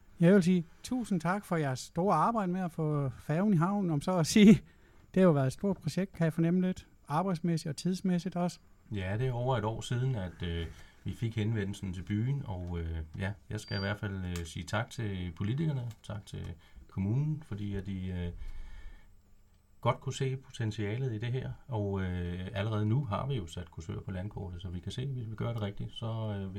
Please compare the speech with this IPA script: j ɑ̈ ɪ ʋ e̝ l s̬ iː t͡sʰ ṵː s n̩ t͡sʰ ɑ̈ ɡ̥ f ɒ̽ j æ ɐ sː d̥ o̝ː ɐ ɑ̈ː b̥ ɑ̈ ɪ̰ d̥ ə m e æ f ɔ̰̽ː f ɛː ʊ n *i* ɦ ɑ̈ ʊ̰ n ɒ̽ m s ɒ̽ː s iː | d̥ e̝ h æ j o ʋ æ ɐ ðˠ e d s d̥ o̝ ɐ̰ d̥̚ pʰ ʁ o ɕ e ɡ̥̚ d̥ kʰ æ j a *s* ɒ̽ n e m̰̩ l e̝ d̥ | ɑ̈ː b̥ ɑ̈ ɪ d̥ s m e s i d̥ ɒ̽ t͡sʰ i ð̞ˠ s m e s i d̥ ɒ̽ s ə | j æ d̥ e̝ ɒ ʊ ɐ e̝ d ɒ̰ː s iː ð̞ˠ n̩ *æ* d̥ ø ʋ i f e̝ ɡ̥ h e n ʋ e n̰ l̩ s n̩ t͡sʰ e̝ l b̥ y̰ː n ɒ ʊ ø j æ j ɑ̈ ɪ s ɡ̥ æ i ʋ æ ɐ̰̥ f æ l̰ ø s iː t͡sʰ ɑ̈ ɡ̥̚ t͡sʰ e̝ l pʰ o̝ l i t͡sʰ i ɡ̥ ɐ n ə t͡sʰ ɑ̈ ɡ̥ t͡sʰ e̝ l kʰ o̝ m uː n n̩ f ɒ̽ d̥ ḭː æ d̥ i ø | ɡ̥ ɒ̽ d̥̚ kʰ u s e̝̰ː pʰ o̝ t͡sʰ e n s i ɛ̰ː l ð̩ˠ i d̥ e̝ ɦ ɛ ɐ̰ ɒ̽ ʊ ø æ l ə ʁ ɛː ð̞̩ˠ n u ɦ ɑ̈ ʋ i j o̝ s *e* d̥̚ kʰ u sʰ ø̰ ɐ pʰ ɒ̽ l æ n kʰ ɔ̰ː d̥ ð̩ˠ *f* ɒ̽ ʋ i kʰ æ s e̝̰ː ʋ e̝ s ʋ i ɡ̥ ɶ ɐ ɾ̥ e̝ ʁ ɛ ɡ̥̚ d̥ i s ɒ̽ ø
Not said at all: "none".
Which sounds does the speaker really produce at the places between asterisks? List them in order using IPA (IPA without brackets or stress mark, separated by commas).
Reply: i, f, æ, æ, s